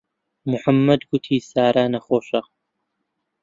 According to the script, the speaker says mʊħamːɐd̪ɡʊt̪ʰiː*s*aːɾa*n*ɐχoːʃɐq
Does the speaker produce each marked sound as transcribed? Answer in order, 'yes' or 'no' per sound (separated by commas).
yes, yes